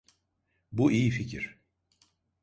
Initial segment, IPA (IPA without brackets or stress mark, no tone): b